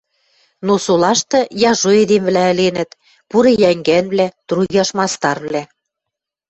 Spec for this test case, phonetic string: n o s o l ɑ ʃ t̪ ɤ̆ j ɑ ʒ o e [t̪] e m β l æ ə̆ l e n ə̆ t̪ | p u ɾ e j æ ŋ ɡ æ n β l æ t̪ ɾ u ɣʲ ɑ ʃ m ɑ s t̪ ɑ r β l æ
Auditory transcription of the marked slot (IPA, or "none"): d̪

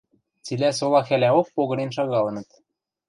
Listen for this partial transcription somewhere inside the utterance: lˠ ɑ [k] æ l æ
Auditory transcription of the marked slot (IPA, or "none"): x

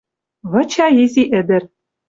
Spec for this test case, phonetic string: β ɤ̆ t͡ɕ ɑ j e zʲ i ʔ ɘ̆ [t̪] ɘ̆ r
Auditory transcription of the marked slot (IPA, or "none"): d̪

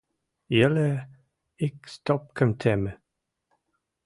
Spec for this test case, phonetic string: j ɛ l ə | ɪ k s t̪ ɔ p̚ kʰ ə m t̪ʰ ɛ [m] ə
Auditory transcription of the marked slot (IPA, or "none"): m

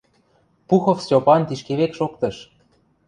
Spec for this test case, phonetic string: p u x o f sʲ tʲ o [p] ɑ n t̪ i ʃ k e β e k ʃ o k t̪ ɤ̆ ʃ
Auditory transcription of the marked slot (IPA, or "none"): p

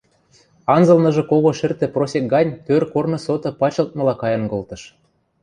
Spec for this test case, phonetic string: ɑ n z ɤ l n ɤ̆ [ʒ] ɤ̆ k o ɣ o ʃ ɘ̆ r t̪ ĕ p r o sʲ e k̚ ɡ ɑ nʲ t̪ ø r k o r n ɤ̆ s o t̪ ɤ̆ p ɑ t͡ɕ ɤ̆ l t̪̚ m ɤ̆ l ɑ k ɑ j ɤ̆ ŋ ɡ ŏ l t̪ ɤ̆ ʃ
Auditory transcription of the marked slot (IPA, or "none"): ʒ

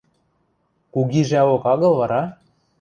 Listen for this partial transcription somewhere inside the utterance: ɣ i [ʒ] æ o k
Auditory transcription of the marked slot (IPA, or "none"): ʒ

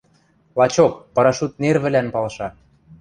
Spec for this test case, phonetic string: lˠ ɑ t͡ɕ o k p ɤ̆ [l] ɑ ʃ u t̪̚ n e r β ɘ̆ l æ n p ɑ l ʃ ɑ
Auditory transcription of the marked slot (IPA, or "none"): ɾ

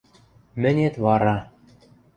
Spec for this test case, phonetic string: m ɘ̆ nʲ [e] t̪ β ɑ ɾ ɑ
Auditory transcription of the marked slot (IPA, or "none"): e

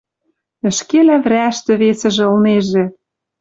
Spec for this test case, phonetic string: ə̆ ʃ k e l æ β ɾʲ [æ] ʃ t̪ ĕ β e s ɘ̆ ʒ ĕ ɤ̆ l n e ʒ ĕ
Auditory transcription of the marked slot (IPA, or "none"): æ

